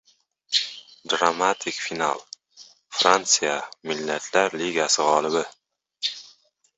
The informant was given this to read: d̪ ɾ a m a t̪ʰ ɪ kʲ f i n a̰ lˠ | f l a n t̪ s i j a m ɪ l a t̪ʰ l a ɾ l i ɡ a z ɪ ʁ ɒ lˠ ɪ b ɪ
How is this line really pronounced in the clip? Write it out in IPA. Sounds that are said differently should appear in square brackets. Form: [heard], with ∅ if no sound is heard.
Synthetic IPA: d̪ ɾ a m a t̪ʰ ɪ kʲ f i n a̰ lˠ | f [ɾ] a n t̪ s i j a m ɪ [lː] a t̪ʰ l a ɾ l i ɡ a [s] ɪ ʁ ɒ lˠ ɪ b ɪ